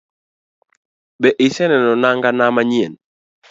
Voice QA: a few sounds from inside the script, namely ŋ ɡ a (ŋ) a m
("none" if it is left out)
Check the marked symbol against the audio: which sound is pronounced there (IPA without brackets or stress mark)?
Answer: n